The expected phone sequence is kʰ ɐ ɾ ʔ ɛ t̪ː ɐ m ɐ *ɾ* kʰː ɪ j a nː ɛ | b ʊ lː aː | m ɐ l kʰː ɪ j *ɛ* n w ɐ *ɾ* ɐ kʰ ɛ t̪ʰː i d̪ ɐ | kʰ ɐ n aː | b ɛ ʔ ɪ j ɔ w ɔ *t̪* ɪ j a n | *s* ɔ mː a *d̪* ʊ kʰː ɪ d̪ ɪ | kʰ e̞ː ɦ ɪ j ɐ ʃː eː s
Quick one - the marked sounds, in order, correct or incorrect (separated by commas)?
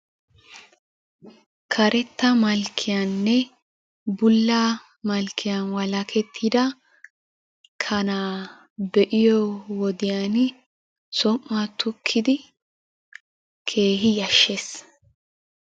incorrect, incorrect, incorrect, incorrect, correct, incorrect